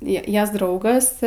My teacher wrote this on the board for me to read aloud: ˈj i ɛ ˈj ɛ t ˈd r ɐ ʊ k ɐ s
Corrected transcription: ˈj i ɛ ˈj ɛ s ˈd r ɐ ʊ ɡ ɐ s